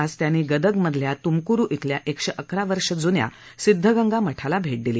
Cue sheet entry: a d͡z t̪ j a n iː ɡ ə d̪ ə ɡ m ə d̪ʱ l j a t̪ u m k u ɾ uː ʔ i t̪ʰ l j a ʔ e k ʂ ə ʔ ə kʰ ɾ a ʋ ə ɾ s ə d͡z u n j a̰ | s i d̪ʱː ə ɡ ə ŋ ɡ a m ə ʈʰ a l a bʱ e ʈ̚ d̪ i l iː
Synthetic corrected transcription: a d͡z t̪ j a n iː ɡ ə d̪ ə ɡ m ə d̪ʱ l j a t̪ u m k u ɾ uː ʔ i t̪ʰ l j a ʔ e k ʂ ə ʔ ə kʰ ɾ a ʋ ə ɾ ʂ ə d͡z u n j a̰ | s i d̪ʱː ə ɡ ə ŋ ɡ a m ə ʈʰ a l a bʱ e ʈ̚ d̪ i l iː